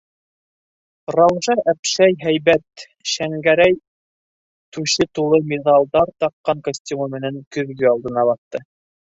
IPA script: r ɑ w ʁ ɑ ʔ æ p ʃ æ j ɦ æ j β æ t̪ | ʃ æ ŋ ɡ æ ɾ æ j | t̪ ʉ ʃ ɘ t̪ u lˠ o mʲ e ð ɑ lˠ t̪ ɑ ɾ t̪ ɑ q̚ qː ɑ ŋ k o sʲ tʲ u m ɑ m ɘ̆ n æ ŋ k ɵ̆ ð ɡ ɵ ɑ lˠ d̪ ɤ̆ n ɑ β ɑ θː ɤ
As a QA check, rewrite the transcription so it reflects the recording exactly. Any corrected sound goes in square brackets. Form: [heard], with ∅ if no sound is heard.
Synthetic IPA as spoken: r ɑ w [ʒ] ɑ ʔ æ p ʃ æ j ɦ æ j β æ t̪ | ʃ æ ŋ ɡ æ ɾ æ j | t̪ ʉ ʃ ɘ t̪ u lˠ [ɤ] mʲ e ð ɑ lˠ [d̪] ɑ ɾ t̪ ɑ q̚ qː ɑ ŋ k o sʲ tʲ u m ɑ m ɘ̆ n æ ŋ k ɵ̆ ð ɡ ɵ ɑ lˠ d̪ ɤ̆ n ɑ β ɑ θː ɤ